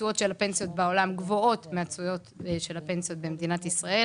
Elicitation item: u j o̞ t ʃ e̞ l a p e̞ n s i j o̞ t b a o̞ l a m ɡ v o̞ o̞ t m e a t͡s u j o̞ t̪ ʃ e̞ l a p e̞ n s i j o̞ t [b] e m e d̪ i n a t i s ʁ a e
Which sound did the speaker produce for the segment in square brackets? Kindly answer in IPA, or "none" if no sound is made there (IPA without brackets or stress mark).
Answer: b